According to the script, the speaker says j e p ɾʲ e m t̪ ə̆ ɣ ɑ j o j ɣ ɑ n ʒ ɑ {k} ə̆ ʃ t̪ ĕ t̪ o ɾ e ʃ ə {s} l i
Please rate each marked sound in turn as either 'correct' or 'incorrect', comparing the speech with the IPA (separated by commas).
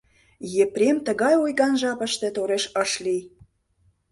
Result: incorrect, incorrect